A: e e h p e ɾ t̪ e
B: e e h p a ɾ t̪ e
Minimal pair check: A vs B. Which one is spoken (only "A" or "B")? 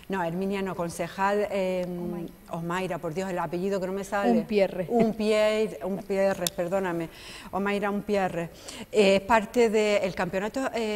B